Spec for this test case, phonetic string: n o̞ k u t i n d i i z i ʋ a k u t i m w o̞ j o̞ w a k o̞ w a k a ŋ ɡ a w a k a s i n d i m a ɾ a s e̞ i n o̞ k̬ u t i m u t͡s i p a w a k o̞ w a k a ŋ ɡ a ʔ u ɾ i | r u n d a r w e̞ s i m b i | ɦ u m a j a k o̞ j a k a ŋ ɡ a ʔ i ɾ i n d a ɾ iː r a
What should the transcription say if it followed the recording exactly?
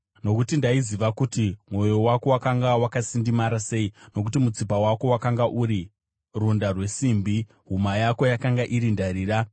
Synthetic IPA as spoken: n o̞ k u t i n d a i z i ʋ a k u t i m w o̞ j o̞ w a k o̞ w a k a ŋ ɡ a w a k a s i n d i m a ɾ a s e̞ i n o̞ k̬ u t i m u t͡s i p a w a k o̞ w a k a ŋ ɡ a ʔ u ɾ i | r u n d a r w e̞ s i m b i | ɦ u m a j a k o̞ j a k a ŋ ɡ a ʔ i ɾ i n d a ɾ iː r a